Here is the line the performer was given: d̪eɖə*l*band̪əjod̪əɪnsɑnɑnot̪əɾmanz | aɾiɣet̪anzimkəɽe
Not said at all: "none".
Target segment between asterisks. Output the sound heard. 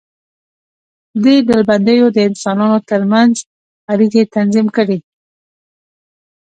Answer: l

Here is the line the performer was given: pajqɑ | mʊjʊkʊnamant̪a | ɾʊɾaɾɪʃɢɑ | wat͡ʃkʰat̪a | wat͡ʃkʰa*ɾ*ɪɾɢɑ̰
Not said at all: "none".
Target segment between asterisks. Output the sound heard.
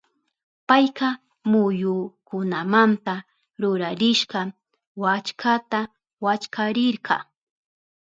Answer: ɾ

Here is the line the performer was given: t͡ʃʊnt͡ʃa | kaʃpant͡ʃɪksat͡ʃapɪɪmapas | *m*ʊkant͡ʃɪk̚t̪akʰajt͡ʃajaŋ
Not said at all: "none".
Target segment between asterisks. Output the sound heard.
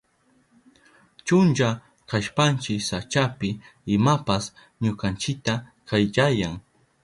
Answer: ɲ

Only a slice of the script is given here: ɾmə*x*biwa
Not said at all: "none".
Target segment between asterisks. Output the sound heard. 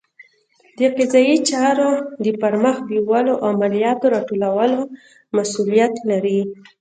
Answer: x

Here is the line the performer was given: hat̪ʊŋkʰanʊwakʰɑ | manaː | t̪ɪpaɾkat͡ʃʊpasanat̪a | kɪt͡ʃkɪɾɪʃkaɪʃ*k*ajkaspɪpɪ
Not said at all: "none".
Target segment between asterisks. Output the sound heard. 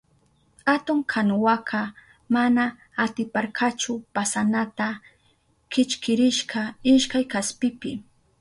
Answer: k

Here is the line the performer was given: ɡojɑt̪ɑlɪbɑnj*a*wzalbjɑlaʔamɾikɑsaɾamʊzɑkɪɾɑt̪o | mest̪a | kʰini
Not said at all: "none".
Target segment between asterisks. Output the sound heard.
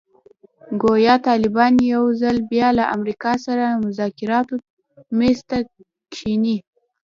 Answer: a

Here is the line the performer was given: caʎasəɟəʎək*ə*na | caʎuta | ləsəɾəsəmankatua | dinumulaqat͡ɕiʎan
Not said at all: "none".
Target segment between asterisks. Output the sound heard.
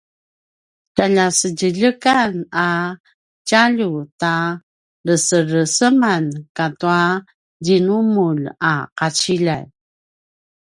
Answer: a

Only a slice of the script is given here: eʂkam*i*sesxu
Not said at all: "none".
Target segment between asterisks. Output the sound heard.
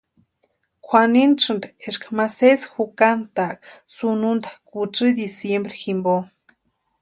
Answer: a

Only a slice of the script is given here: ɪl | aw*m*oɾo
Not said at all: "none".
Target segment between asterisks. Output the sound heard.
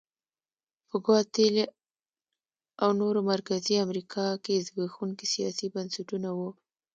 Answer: n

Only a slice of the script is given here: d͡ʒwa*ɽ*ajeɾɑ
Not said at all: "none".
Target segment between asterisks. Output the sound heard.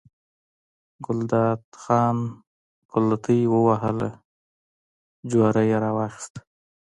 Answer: ɾ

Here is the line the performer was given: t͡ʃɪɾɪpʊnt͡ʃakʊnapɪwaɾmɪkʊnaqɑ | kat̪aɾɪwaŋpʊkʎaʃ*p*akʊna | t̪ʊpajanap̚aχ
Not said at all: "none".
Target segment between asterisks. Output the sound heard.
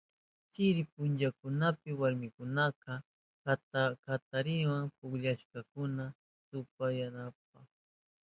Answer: k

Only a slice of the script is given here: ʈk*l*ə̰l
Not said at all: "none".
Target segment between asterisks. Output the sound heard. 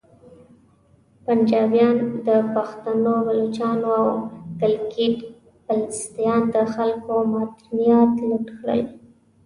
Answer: ɽ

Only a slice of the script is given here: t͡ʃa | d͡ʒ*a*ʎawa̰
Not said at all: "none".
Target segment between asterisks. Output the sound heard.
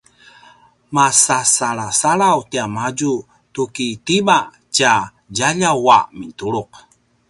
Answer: a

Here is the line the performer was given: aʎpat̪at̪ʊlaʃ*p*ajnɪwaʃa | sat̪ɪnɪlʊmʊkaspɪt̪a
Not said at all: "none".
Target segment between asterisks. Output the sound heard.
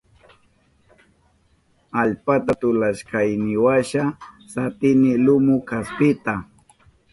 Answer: k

